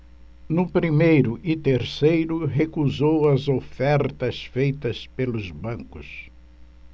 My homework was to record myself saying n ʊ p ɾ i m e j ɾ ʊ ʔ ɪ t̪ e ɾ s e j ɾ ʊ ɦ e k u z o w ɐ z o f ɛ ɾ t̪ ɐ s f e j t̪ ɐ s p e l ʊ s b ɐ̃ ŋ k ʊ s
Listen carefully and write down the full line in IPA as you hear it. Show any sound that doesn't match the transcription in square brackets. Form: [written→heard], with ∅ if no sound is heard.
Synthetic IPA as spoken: n ʊ p ɾ i m e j ɾ ʊ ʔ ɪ t̪ e ɾ s e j ɾ ʊ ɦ e k u z o w ɐ z o f ɛ ɾ t̪ ɐ s f e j t̪ ɐ s p e l ʊ [s→z] b ɐ̃ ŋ k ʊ s